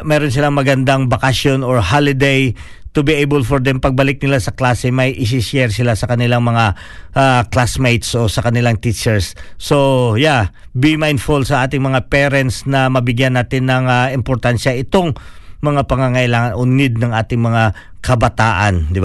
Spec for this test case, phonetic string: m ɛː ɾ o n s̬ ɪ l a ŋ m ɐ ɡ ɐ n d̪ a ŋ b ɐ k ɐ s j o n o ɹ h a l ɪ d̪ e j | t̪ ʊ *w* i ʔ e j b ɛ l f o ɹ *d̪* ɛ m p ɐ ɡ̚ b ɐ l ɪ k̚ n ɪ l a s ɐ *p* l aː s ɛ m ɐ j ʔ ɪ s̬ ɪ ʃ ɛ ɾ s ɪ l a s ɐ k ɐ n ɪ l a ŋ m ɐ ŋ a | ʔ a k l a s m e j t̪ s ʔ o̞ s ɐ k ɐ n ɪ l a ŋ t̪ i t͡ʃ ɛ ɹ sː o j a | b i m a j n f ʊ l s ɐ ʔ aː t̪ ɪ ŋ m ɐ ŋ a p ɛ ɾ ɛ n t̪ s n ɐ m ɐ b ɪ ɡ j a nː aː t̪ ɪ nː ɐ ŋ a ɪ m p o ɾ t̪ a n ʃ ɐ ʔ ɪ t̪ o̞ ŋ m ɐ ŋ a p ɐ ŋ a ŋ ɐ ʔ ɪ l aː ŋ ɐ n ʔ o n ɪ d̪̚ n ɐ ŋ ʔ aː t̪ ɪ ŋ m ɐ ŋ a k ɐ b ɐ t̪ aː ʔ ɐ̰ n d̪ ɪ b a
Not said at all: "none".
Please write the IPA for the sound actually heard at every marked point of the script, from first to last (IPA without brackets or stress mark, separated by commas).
b, d̪, k